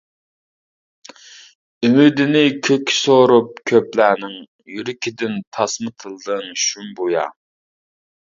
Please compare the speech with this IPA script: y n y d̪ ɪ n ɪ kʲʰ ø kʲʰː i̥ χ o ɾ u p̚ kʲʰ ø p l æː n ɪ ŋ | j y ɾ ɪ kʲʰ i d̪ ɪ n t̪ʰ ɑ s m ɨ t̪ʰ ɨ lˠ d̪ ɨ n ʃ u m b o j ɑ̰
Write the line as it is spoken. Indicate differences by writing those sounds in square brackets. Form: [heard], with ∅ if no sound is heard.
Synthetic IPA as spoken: y [m] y d̪ ɪ n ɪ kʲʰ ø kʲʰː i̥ [s] o ɾ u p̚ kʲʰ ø p l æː n ɪ ŋ | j y ɾ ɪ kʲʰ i d̪ ɪ n t̪ʰ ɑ s m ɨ t̪ʰ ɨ lˠ d̪ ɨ [ŋ] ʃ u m b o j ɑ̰